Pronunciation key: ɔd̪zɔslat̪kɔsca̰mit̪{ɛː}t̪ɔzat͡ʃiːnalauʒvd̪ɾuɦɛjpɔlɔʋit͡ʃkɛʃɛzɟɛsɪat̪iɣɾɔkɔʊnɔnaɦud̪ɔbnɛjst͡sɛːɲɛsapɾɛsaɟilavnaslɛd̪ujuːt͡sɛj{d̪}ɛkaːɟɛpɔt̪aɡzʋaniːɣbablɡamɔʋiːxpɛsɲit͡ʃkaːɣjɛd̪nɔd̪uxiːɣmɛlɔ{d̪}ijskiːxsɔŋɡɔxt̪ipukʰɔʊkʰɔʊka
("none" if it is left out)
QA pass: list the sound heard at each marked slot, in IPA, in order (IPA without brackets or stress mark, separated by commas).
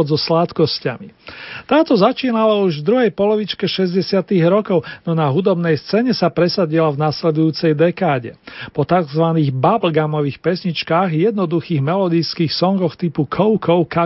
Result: aː, d̪, d̪